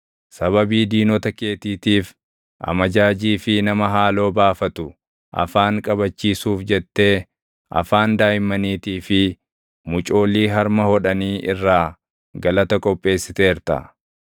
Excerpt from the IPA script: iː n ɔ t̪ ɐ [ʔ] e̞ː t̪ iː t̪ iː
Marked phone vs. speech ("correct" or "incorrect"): incorrect